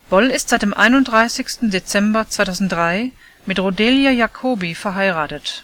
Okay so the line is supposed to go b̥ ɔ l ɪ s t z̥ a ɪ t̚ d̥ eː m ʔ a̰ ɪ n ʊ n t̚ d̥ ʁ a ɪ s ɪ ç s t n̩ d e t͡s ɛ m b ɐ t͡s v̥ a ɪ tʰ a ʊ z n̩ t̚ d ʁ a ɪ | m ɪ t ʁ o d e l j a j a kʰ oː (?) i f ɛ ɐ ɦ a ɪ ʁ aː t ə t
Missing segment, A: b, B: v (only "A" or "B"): A